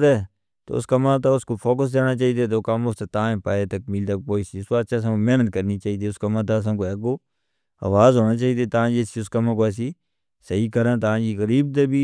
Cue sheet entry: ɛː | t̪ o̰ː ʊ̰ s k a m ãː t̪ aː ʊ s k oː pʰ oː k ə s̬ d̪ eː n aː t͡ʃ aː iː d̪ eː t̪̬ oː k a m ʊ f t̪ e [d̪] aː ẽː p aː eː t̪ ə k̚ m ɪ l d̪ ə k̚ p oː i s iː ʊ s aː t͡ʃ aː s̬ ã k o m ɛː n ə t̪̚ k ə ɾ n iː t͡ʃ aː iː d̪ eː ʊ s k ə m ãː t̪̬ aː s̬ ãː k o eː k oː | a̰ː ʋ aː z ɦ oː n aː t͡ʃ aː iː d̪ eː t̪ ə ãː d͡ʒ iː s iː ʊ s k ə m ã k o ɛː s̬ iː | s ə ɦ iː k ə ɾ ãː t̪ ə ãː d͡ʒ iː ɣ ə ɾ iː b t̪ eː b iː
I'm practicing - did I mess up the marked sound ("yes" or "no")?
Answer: yes